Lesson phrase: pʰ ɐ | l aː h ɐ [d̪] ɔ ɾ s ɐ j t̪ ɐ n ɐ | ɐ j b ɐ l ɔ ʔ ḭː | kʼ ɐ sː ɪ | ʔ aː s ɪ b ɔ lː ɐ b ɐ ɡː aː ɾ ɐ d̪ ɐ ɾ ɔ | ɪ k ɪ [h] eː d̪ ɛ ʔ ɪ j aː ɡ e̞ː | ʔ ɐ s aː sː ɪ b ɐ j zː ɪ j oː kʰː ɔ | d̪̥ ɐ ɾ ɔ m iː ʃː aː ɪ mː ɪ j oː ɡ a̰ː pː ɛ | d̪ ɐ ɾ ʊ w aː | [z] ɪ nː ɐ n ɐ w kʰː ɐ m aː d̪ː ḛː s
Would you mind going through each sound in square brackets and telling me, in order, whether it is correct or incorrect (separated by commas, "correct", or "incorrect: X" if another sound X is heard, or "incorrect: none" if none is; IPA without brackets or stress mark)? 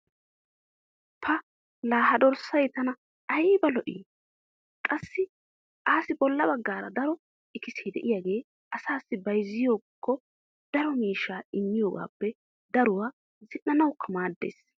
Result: correct, incorrect: s, correct